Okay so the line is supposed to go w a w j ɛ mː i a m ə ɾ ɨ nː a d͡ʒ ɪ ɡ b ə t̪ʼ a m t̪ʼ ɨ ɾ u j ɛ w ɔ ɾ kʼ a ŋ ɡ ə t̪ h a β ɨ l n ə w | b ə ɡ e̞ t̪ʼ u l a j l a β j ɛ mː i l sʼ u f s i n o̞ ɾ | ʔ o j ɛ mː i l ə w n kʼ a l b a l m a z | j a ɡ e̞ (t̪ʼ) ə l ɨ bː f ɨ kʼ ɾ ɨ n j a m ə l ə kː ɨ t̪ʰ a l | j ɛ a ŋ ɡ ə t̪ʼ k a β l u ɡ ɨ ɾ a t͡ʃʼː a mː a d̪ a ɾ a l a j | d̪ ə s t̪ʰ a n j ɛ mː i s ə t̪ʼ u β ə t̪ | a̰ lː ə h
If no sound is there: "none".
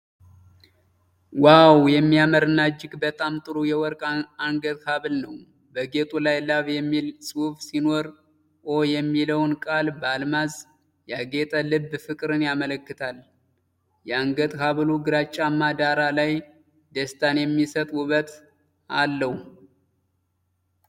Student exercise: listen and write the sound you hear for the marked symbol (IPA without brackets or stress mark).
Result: t̪ʼ